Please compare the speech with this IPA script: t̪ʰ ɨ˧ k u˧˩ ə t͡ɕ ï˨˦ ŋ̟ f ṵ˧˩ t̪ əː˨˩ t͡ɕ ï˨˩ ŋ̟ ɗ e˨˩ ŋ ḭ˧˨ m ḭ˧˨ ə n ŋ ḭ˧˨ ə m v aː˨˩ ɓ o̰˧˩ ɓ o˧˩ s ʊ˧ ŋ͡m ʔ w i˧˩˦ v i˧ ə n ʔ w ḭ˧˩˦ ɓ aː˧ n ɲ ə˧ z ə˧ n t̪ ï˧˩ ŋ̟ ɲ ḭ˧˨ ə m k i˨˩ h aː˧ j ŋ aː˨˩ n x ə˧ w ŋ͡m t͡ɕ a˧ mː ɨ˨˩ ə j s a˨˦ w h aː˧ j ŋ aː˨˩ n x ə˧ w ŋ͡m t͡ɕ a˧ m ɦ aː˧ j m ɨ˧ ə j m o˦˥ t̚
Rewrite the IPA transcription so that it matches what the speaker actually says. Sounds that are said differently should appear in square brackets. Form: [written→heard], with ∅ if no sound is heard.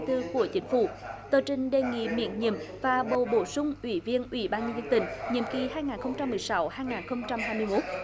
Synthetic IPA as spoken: [t̪ʰ→t̪] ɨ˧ k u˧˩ ə t͡ɕ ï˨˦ ŋ̟ f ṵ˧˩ t̪ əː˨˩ t͡ɕ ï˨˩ ŋ̟ ɗ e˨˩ ŋ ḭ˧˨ m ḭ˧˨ ə n [ŋ→ɲ] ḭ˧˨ ə m v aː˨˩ ɓ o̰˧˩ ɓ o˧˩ s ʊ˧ ŋ͡m ʔ w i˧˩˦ v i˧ ə n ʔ w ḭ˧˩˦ ɓ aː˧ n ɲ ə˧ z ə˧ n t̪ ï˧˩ ŋ̟ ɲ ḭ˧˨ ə m k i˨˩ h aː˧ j ŋ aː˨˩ n x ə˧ w ŋ͡m t͡ɕ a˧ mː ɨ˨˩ ə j s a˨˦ w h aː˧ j ŋ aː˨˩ n x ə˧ w ŋ͡m t͡ɕ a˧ m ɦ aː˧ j m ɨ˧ ə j m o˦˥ t̚